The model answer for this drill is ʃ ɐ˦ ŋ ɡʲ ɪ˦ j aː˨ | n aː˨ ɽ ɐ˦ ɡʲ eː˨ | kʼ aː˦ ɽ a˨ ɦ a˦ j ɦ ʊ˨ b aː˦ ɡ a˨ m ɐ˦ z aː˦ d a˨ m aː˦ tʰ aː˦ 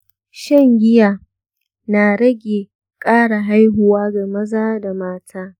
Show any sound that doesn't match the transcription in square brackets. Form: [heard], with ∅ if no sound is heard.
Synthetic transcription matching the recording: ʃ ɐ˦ ŋ ɡʲ ɪ˦ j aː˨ | n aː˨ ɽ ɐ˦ ɡʲ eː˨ | kʼ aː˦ ɽ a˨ ɦ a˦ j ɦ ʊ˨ [w] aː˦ ɡ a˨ m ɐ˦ z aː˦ d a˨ m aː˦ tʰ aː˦